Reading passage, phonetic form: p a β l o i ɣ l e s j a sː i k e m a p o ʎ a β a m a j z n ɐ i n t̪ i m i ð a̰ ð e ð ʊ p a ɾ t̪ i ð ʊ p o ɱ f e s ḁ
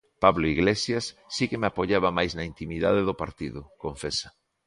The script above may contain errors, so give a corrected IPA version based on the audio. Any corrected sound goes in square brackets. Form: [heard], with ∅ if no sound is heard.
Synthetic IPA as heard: p a β l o i ɣ l e s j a sː i k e m a p o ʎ a β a m a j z n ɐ i n t̪ i m i ð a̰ ð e ð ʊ p a ɾ t̪ i ð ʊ [k] o ɱ f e s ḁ

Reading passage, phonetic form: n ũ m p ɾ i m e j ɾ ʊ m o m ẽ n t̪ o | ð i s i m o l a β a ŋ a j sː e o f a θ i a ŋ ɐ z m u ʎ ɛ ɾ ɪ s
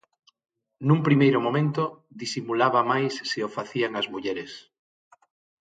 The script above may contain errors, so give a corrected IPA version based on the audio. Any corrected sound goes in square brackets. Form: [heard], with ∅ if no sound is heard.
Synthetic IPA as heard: n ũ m p ɾ i m e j ɾ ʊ m o m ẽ n t̪ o | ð i s i m [u] l a β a [m] a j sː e o f a θ i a ŋ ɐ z m u ʎ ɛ ɾ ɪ s

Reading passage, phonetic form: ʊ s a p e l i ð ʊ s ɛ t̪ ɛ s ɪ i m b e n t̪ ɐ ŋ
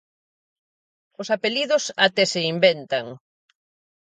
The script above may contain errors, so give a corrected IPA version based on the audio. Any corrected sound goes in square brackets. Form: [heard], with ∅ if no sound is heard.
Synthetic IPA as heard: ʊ s a p e l i ð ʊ s [a] t̪ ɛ s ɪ i m b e n t̪ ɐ ŋ

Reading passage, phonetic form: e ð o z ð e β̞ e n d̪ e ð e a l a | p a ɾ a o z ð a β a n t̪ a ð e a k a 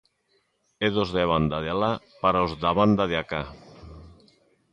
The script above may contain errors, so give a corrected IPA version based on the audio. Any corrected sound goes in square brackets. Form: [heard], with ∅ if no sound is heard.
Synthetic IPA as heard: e ð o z ð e β̞ [a] n d̪ [a] ð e a l a | p a ɾ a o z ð a β a n [d̪] a ð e a k a

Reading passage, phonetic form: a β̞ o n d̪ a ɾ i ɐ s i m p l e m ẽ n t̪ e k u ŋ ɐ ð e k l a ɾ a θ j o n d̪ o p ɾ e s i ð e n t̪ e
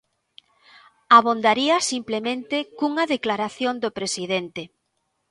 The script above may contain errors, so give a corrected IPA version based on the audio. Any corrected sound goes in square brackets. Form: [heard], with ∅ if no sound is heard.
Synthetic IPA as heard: a β̞ o n d̪ a ɾ i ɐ s i m p l e m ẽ n t̪ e k u ŋ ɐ ð e k l a ɾ a θ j o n d̪ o p ɾ e s i ð e n t̪ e

